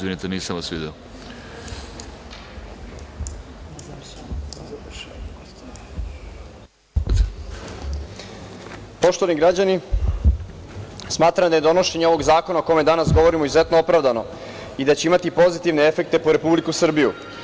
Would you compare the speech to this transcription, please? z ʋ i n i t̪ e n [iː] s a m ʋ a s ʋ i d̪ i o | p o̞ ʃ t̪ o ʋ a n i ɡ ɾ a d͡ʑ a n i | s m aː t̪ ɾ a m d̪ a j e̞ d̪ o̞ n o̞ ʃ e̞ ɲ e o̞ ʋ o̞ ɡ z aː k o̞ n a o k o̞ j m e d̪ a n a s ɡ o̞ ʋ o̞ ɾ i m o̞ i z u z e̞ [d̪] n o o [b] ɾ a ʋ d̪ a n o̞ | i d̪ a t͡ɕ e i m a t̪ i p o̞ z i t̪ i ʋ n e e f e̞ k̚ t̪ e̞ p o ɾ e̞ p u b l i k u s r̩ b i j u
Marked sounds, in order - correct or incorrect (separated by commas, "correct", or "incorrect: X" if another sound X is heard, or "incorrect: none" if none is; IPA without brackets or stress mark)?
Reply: correct, incorrect: t̪, incorrect: p